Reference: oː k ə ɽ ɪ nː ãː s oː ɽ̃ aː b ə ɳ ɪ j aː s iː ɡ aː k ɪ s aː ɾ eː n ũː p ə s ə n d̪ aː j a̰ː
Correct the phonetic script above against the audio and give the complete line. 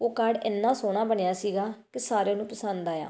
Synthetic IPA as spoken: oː k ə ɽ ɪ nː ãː s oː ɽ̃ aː b ə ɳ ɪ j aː s iː ɡ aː k ɪ s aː ɾ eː n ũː p ə s ə n d̪ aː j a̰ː

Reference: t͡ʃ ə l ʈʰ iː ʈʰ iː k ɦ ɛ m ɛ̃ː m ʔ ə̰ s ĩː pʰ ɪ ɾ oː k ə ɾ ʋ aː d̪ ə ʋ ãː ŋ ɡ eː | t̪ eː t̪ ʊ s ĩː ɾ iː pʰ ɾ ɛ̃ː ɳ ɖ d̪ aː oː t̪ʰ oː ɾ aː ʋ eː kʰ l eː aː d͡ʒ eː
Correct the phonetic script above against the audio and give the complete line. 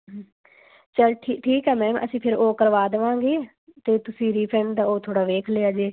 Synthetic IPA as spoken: t͡ʃ ə l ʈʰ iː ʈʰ iː k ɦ ɛː m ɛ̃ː m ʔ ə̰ s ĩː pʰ ɪ ɾ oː k ə ɾ ʋ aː d̪ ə ʋ ãː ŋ ɡ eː | t̪ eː t̪ ʊ s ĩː ɾ iː pʰ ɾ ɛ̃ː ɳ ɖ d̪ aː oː t̪ʰ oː ɽ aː ʋ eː kʰ l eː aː d͡ʒ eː

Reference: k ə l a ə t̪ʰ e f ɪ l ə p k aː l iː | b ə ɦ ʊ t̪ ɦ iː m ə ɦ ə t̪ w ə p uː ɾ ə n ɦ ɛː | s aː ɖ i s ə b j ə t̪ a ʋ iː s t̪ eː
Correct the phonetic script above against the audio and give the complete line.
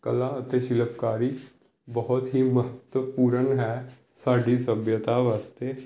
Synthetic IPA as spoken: k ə l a ə t̪ e ʃ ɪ l ə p k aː ɾ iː | b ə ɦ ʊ t̪ ɦ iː m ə ɦ ə t̪ w ə p uː ɾ ə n ɦ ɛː | s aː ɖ i s ə b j ə t̪ a ʋ aː s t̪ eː

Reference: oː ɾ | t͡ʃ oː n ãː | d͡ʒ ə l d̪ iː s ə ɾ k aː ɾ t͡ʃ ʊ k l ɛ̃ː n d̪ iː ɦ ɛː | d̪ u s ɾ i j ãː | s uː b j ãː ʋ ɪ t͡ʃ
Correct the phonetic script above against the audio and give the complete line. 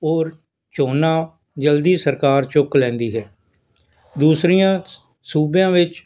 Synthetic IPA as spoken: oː ɾ | t͡ʃ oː n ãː | d͡ʒ ə l d̪ iː s ə ɾ k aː ɾ t͡ʃ ʊ k l ɛ̃ː n d̪ iː ɦ ɛː | d̪ uː s ɾ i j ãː | s uː b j ãː ʋ ɪ t͡ʃ

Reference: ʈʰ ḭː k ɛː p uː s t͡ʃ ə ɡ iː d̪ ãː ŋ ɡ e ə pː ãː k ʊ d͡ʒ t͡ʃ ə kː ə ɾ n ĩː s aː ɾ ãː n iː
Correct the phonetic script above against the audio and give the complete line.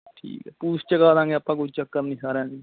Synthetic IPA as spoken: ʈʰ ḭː k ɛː p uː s t͡ʃ ə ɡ aː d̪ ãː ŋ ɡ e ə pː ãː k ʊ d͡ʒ t͡ʃ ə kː ə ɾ n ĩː s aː ɾ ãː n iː

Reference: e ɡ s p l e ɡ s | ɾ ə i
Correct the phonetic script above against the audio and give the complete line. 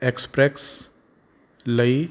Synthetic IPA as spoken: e k s p ɾ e k s | l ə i

